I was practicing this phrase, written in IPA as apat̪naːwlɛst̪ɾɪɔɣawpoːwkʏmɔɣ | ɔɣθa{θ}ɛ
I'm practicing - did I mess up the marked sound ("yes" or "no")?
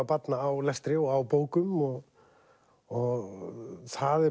yes